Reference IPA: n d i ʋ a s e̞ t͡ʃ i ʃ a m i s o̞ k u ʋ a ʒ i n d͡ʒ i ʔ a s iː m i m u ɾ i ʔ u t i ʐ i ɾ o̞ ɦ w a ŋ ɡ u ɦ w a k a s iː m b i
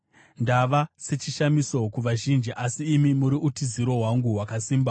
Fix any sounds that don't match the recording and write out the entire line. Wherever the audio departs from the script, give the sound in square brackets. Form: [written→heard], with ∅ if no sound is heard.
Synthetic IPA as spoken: n d [i→a] ʋ a s e̞ t͡ʃ i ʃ a m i s o̞ k u ʋ a ʒ i n d͡ʒ i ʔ a s iː m i m u ɾ i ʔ u t i [ʐ→z] i ɾ o̞ ɦ w a ŋ ɡ u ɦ w a k a s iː m b [i→a]